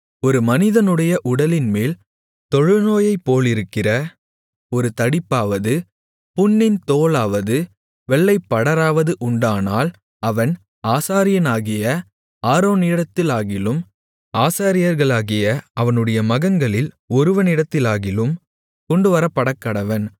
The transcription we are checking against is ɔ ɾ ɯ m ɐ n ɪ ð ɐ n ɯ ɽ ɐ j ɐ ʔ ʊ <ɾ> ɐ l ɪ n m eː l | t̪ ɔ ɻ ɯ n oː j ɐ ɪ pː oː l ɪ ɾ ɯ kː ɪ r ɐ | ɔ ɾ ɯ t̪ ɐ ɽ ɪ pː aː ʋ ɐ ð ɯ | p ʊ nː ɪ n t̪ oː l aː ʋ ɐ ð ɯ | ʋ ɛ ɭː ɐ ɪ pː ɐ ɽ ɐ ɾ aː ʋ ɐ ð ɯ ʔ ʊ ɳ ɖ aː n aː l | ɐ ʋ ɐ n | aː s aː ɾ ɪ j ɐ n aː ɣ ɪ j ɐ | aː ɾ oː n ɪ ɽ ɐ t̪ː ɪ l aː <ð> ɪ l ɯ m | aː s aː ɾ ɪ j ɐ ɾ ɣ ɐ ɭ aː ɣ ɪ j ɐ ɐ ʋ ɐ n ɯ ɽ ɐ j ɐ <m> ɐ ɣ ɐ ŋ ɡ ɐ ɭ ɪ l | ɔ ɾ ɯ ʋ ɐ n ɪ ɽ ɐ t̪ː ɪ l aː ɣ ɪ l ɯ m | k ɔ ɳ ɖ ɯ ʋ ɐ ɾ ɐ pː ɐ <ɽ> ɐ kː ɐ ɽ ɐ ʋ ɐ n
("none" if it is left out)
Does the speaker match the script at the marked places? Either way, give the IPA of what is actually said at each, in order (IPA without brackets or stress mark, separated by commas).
ɽ, ɣ, m, ɽ